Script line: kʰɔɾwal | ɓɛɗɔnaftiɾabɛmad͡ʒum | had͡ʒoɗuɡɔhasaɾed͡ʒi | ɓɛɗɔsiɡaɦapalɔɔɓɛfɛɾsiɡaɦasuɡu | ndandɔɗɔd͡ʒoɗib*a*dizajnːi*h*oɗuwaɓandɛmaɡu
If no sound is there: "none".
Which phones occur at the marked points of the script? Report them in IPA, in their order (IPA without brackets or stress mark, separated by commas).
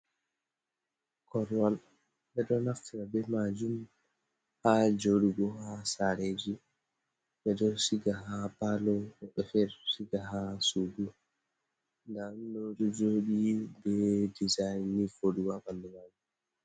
ɛ, f